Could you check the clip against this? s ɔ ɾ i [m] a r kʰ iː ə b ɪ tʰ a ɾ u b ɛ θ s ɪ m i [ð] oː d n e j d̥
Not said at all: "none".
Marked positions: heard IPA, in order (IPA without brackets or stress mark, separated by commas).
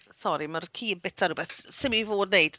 m, v